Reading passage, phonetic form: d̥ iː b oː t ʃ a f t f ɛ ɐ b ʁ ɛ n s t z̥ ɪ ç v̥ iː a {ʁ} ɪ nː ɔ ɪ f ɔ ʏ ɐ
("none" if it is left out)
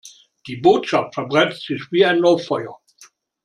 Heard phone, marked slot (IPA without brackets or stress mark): none